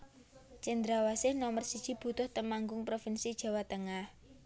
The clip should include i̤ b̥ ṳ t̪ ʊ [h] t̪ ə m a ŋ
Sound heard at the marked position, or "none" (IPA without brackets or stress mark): h